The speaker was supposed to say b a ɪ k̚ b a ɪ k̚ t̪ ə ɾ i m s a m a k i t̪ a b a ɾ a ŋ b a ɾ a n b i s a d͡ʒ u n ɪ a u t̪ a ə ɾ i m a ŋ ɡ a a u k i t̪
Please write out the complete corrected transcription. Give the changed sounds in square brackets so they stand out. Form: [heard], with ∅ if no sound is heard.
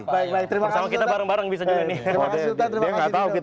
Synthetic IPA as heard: b a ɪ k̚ b a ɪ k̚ t̪ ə ɾ i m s a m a k i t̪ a b a ɾ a ŋ b a ɾ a [ŋ] b i s a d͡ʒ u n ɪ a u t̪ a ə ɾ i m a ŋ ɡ a a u k i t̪